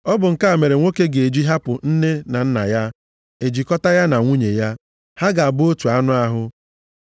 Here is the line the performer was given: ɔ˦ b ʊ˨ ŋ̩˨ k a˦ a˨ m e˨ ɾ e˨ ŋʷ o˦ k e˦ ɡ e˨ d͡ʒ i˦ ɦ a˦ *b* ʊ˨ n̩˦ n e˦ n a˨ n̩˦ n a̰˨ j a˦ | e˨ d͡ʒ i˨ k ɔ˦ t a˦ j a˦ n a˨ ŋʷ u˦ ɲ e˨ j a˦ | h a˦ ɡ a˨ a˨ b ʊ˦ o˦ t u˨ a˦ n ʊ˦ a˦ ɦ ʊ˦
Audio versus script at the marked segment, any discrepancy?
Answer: yes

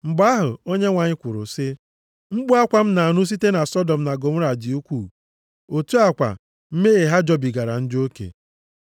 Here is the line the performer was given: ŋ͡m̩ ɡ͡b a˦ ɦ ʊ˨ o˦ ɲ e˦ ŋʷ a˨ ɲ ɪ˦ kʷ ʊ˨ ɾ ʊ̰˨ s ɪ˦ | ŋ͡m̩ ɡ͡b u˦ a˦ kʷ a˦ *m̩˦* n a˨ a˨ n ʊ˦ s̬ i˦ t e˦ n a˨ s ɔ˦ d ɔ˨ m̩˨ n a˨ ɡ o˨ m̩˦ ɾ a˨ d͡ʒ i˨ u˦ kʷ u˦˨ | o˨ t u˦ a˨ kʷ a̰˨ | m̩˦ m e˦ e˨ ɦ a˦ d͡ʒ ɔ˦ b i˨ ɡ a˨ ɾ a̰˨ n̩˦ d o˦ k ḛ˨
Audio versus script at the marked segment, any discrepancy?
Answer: no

